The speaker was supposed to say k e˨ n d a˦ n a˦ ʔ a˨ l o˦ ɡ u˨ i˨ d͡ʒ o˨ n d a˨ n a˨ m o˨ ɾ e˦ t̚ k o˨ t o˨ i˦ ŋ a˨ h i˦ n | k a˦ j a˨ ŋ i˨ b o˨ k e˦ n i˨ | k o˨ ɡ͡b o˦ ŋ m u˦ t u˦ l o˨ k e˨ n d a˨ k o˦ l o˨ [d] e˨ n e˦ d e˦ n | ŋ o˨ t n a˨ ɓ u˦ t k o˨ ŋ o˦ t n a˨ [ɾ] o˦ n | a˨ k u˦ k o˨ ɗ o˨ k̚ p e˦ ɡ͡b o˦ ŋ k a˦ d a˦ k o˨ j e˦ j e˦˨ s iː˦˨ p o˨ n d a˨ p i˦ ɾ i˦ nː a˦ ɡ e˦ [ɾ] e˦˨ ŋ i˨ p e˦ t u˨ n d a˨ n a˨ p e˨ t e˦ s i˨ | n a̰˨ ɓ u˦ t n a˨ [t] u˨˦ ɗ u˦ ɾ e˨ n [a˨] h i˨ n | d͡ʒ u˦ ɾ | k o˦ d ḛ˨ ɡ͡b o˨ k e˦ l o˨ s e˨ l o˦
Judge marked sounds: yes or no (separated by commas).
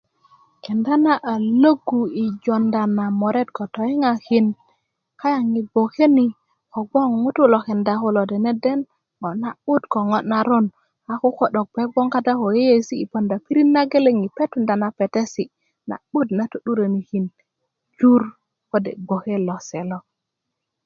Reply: yes, yes, no, yes, no